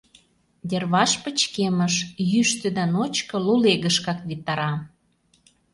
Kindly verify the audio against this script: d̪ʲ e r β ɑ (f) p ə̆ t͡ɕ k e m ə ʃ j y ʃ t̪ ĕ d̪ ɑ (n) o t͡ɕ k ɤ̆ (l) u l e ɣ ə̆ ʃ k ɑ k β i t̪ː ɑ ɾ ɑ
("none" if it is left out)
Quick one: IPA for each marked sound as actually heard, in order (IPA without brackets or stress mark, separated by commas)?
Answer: ʃ, n, l